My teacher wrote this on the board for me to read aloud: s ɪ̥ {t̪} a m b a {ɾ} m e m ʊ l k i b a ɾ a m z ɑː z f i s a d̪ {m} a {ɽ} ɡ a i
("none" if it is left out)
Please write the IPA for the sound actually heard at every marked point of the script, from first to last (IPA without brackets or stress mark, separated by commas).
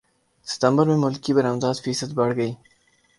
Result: t̪, ɾ, b, ɽ